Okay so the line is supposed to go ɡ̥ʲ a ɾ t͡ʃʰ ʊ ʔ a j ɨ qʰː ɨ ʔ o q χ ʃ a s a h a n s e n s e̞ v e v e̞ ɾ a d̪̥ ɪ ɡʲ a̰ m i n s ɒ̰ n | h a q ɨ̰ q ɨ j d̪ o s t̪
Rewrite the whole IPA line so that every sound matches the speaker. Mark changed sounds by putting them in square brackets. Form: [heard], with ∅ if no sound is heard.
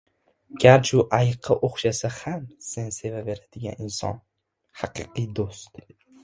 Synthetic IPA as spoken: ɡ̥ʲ a ɾ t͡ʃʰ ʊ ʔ a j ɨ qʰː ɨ ʔ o [∅] χ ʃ a s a h a [m] s e n s e̞ v [a] v e̞ ɾ a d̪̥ ɪ ɡʲ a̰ [n] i n s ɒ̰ n | h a q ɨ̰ q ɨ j d̪ o s t̪